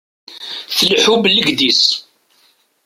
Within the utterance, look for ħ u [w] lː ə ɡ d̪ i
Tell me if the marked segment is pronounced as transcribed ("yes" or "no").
no